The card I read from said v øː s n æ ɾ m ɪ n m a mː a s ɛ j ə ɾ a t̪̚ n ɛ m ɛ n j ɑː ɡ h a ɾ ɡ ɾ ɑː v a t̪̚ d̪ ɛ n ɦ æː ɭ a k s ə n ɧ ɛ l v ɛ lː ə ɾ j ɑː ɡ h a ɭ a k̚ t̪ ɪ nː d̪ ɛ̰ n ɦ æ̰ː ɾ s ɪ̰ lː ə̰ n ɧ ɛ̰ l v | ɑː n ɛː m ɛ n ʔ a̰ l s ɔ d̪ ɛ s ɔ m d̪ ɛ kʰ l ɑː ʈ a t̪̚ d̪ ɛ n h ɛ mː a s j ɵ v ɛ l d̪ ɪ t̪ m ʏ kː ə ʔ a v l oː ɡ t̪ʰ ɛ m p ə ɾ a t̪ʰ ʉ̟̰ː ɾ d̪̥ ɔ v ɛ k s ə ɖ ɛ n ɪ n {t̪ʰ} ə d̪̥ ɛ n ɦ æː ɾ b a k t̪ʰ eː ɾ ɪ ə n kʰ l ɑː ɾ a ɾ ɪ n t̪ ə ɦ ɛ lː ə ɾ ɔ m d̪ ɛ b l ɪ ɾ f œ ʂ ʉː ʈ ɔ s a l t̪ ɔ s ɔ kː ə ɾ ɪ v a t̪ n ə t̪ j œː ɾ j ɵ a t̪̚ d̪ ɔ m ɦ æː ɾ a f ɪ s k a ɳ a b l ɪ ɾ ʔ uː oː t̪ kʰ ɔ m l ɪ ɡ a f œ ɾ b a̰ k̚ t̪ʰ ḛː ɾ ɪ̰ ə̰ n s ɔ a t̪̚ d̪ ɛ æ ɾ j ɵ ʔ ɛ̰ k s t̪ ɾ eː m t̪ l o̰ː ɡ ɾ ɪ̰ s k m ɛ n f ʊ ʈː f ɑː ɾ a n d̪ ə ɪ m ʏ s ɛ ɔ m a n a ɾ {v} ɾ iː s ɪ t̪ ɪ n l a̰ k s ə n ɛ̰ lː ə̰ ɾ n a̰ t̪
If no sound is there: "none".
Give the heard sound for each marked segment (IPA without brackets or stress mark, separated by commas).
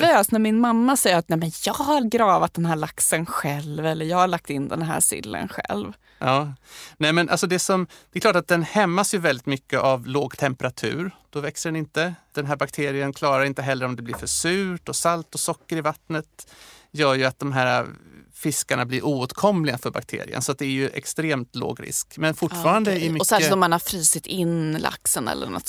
t̪, f